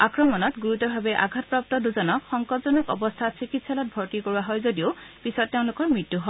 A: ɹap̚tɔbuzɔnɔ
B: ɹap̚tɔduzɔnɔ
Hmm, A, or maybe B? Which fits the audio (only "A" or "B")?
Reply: B